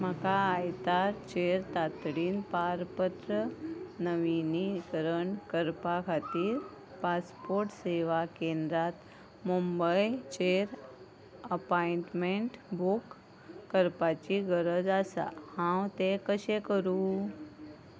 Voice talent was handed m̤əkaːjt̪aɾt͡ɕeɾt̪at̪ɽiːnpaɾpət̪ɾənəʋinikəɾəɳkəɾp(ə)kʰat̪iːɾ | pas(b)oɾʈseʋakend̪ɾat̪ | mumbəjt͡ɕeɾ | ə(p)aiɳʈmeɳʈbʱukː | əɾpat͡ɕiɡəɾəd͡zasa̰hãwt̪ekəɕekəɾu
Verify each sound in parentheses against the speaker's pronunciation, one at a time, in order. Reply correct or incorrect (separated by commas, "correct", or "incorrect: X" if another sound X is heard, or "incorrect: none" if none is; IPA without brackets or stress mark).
incorrect: a, incorrect: p, correct